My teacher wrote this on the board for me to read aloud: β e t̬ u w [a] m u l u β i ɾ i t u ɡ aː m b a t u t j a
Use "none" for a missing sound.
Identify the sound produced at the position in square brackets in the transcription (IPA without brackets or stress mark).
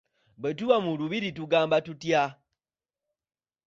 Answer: a